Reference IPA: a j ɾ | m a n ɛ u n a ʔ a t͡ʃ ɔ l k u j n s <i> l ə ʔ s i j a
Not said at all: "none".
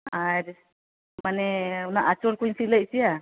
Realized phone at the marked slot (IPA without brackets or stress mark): i